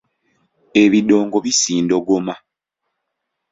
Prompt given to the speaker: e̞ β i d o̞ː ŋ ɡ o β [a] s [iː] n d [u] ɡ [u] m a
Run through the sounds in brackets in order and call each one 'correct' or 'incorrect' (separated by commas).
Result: incorrect, correct, incorrect, incorrect